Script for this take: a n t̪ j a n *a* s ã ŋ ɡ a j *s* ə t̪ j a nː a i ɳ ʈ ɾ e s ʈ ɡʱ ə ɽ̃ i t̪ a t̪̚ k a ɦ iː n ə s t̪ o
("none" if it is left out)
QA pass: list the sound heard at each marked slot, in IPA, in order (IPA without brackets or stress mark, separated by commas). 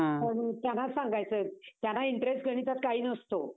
a, t͡s